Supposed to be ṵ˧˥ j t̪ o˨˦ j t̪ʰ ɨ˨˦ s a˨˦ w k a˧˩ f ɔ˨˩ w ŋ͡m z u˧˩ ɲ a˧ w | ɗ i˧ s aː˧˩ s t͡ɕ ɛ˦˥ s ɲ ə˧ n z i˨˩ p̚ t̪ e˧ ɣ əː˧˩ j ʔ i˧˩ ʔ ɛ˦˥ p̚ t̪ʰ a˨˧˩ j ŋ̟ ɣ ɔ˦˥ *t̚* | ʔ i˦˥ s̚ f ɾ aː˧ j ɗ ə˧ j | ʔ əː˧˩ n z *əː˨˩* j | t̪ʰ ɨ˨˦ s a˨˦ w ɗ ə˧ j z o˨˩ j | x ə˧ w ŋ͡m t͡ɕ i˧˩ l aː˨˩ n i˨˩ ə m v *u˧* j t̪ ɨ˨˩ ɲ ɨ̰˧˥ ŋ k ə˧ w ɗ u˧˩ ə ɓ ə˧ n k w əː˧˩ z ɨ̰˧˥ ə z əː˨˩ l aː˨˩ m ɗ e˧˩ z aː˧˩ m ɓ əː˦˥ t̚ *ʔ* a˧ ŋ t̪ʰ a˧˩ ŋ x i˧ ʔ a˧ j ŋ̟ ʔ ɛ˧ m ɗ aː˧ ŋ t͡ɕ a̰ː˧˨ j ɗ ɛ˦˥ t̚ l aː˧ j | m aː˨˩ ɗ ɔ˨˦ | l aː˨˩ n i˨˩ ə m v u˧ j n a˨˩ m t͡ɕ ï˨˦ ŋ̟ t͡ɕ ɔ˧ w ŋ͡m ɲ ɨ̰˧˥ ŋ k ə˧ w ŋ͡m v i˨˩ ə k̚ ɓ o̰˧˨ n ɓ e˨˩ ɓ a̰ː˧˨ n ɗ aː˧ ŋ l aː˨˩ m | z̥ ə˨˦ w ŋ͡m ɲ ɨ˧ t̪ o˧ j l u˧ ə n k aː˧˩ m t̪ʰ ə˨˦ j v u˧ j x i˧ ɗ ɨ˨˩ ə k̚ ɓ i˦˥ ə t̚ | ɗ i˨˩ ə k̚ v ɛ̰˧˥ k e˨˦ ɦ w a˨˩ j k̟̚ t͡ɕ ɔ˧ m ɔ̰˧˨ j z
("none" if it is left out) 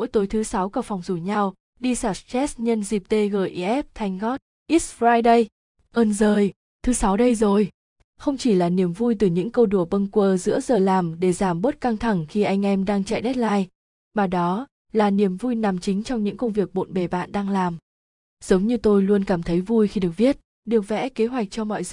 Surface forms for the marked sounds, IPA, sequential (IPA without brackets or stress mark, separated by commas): t̚, əː˨˩, u˧, k